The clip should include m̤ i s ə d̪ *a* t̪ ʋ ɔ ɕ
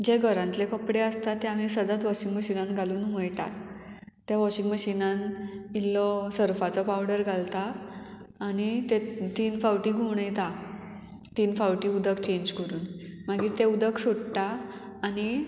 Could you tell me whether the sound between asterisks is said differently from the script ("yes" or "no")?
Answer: no